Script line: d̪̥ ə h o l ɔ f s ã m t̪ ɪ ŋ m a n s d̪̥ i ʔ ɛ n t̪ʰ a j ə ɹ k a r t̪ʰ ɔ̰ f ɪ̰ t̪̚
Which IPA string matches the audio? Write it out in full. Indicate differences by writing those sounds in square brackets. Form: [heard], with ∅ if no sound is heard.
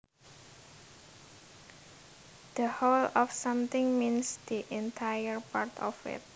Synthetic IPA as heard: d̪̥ ə h o l ɔ f s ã m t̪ ɪ ŋ m [i] n s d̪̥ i ʔ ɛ n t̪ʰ a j ə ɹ [p] a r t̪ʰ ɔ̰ f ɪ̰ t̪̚